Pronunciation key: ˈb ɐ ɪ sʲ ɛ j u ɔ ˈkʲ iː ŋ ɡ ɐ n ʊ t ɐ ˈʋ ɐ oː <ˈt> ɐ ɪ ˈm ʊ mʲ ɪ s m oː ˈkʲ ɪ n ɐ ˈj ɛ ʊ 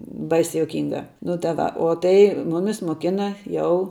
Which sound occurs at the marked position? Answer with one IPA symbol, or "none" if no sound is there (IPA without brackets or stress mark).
t